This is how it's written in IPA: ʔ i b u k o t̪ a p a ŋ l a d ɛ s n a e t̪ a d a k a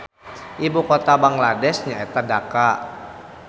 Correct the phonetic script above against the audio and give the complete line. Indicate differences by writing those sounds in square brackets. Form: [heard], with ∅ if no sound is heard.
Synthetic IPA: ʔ i b u k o t̪ a [b] a ŋ l a d ɛ s [ɲ] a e t̪ a d a k a